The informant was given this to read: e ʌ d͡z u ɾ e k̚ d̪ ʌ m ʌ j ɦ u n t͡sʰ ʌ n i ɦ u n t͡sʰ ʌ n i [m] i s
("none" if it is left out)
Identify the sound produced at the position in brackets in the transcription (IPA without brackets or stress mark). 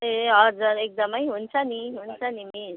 m